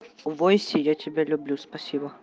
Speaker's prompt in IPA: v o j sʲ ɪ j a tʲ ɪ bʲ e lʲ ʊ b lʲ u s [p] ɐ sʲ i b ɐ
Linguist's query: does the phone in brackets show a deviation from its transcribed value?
no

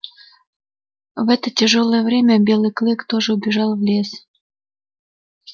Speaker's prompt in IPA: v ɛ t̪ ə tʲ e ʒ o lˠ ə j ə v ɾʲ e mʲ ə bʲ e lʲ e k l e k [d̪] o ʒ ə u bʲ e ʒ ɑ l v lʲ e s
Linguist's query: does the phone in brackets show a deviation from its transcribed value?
yes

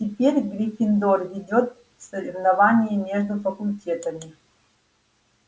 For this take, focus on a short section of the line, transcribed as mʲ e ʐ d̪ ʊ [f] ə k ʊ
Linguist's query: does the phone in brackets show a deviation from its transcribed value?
no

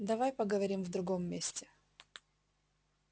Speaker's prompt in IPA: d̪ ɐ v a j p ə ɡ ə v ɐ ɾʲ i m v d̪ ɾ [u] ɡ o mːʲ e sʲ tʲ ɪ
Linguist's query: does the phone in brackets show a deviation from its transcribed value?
yes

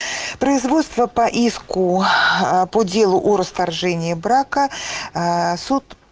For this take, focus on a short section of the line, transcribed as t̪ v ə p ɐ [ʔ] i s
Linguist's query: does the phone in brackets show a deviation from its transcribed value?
no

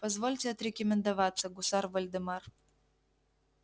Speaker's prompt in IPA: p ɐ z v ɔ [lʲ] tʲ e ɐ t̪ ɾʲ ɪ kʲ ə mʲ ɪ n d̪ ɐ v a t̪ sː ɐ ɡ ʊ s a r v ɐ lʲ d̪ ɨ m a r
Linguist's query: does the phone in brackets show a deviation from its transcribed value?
no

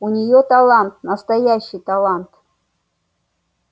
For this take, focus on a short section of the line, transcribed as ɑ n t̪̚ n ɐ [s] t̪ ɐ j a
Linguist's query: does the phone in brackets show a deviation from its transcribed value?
no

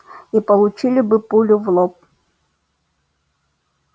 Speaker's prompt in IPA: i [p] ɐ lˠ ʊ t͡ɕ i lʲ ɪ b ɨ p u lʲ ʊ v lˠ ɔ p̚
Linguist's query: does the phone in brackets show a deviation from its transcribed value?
no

